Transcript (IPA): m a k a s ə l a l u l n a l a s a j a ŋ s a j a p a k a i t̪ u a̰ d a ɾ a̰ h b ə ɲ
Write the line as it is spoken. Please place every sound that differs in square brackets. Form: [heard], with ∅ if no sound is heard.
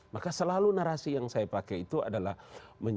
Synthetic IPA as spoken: m a k a s ə l a l u [∅] n a [ɾ] a s [i] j a ŋ s a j a p a k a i t̪ u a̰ d a [l] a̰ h [m] ə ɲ